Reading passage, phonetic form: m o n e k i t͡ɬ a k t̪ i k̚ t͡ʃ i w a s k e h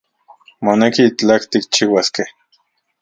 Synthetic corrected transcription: m o n e k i t͡ɬ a k t̪ i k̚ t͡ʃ i w a s k e h